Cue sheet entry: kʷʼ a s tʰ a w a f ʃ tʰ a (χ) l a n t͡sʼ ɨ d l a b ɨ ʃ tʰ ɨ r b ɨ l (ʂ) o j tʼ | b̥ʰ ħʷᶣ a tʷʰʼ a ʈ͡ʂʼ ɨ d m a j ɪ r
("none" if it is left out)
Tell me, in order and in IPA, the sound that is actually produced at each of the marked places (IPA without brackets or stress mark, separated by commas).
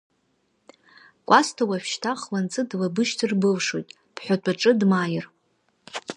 χ, ʂ